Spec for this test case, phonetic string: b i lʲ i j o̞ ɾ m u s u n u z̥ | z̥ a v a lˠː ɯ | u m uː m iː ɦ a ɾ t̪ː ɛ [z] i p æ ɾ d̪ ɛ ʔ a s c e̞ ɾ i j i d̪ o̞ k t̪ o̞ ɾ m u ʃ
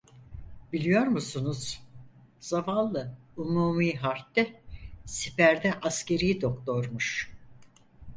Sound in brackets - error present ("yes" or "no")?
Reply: yes